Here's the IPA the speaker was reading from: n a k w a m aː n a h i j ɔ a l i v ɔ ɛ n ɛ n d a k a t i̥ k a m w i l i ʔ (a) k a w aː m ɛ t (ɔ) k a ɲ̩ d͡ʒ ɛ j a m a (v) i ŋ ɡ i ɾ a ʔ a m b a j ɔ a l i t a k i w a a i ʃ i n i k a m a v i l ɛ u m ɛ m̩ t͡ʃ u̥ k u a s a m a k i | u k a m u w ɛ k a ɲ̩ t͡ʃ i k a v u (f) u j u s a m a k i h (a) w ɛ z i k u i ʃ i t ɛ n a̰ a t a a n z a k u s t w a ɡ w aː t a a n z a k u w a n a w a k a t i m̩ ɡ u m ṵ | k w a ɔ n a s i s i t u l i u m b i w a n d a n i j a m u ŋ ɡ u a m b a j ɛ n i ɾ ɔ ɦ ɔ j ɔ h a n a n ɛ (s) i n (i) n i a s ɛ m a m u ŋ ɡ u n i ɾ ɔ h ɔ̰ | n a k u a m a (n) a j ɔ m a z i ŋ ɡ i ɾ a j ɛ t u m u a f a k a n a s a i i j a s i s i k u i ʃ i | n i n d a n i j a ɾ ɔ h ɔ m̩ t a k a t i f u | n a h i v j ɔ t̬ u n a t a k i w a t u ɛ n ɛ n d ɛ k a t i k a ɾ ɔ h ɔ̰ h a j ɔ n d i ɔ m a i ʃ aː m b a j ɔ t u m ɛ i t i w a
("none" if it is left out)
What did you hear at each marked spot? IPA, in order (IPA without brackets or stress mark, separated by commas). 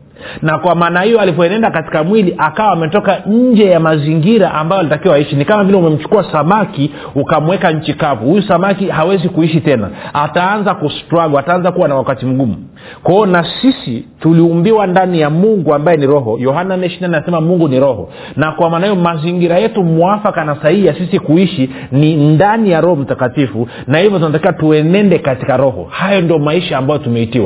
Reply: a, ɔ, z, h, a, ʃ, a, n